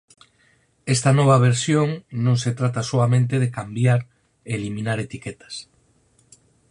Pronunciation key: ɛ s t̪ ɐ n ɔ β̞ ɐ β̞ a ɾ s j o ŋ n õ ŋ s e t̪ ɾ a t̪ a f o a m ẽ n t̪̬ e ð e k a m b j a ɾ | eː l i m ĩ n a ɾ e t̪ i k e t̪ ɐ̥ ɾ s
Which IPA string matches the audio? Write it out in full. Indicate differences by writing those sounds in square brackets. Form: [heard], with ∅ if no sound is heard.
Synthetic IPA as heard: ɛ s t̪ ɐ n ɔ β̞ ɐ β̞ [e] ɾ s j o ŋ n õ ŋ s e t̪ ɾ a t̪ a [s] o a m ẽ n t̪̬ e ð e k a m b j a ɾ | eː l i m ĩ n a ɾ e t̪ i k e t̪ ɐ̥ [∅] s